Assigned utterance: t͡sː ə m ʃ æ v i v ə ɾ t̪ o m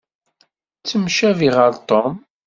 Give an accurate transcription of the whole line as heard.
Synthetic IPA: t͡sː ə m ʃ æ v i ʁ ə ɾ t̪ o m